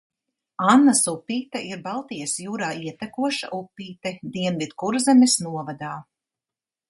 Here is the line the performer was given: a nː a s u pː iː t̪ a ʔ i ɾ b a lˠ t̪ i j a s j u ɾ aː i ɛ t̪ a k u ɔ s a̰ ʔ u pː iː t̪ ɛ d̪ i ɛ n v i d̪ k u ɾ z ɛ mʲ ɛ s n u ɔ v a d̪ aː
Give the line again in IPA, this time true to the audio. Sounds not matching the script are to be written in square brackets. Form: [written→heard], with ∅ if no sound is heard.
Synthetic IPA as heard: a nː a s u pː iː t̪ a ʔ i ɾ b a lˠ t̪ i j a s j [u→uː] ɾ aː i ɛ t̪ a k u ɔ [s→ʃ] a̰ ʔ u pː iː t̪ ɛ d̪ i ɛ n v i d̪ k u ɾ z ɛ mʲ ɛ s n u ɔ v a d̪ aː